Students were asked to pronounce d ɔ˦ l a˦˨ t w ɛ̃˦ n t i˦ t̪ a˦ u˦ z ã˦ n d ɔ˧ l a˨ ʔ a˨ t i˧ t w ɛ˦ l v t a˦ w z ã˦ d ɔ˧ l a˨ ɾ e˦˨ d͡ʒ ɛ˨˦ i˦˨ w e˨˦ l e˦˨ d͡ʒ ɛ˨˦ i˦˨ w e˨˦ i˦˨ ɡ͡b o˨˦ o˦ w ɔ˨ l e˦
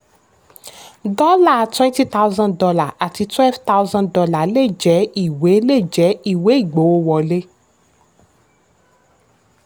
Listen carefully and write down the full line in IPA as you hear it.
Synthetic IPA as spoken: d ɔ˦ l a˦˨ t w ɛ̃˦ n t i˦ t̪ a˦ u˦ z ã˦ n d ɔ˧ l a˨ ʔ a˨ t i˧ t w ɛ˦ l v t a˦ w z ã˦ d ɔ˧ l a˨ l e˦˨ d͡ʒ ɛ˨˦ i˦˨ w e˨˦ l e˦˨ d͡ʒ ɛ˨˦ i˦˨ w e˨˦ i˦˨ ɡ͡b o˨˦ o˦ w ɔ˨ l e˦